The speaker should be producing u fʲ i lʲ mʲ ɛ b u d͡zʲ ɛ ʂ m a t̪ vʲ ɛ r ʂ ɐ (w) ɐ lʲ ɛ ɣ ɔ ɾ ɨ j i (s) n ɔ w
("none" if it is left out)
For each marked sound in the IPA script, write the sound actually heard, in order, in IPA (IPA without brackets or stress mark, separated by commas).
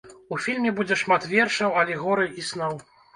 w, s